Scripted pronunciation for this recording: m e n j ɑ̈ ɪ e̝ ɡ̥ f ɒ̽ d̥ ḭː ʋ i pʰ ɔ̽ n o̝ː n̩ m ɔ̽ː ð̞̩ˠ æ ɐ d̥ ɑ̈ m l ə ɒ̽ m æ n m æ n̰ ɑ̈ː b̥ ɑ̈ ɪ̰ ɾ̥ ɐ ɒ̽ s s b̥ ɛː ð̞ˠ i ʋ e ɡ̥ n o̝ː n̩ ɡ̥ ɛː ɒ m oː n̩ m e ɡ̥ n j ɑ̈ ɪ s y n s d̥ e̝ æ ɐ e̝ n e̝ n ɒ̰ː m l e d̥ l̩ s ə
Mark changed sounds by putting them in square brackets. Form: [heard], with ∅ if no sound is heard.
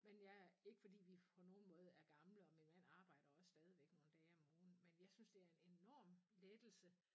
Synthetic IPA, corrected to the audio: m e n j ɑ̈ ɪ e̝ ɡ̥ f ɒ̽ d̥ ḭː ʋ i pʰ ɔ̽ n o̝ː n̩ m ɔ̽ː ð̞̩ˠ æ ɐ [ɡ̥] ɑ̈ m l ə ɒ̽ m [i] n m æ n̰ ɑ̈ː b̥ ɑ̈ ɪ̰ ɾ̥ ɐ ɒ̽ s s [d̥] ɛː ð̞ˠ i ʋ e ɡ̥ n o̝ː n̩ [d̥] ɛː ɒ m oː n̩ m e [∅] n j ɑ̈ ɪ s y n s d̥ e̝ æ ɐ e̝ n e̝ n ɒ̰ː m l e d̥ l̩ s ə